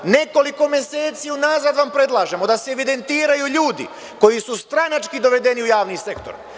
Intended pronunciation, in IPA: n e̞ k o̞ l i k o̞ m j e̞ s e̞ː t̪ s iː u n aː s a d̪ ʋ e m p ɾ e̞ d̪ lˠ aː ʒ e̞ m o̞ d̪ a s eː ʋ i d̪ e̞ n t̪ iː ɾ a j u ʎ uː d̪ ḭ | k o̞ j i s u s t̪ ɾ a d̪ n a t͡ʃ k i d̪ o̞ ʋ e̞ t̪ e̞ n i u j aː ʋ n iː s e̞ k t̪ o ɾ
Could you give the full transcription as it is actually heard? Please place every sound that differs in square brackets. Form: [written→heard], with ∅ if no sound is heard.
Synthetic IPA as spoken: n e̞ k o̞ l i k o̞ m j e̞ s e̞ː t̪ s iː u n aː [s→z] a d̪ ʋ [e→a] m p ɾ e̞ d̪ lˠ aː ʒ e̞ m o̞ d̪ a s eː ʋ i d̪ e̞ n t̪ iː ɾ a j u ʎ uː d̪ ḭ | k o̞ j i s u s t̪ ɾ a [d̪→∅] n a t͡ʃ k i d̪ o̞ ʋ e̞ [t̪→d̪] e̞ n i u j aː ʋ n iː s e̞ k t̪ o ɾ